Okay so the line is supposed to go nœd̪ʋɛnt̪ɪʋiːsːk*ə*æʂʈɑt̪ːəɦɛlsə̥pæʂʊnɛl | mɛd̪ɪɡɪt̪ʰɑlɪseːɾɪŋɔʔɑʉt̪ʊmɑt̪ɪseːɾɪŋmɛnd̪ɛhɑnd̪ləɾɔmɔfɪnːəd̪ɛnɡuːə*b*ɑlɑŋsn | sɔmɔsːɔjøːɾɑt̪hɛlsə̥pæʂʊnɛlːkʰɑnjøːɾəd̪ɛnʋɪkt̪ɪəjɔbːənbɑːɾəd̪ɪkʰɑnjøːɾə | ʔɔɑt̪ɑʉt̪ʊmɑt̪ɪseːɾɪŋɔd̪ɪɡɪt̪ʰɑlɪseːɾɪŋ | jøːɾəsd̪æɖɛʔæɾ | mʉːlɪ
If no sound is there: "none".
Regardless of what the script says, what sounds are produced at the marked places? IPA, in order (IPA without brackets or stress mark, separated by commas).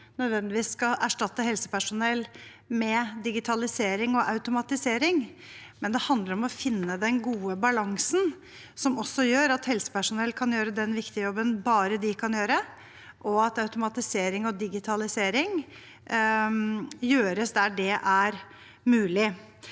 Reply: ɑ, b